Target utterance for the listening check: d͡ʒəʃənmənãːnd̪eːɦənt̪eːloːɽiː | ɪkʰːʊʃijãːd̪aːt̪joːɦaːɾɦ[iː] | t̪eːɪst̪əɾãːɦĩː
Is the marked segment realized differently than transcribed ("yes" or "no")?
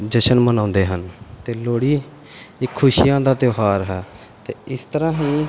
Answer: yes